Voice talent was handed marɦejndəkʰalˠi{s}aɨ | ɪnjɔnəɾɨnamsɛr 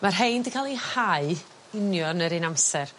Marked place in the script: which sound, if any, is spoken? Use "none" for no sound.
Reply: h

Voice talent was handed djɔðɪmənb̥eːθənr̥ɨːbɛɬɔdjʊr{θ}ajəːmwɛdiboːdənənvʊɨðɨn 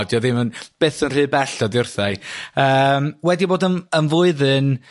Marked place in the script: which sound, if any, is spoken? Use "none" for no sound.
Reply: θ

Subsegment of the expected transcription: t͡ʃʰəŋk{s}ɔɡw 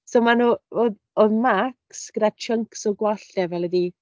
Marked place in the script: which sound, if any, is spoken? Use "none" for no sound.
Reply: s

